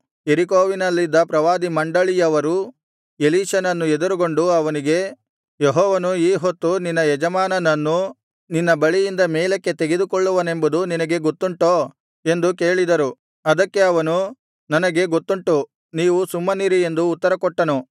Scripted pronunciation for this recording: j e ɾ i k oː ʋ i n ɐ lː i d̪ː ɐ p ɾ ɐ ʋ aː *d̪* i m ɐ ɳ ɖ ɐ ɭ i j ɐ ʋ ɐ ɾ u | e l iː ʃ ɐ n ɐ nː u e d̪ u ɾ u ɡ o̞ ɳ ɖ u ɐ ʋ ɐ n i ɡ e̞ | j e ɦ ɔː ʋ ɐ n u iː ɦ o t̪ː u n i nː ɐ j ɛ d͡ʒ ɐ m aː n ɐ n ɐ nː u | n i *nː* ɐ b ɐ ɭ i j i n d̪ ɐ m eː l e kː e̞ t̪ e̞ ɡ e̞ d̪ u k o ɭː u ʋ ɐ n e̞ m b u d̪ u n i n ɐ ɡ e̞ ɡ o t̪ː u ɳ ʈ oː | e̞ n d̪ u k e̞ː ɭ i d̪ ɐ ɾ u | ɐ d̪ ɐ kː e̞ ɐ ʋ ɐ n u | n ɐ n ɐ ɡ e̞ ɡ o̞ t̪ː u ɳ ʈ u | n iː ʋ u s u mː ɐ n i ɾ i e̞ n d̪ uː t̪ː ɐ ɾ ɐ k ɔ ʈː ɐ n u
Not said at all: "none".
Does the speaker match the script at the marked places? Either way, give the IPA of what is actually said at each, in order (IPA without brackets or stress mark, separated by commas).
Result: d̪, nː